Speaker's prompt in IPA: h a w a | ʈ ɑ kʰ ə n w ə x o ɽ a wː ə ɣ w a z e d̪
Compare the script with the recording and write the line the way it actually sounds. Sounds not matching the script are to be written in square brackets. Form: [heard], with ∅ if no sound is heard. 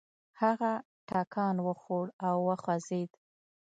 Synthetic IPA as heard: h a [ɣ] a | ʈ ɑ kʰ [ɑ] n w ə x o ɽ a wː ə [x] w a z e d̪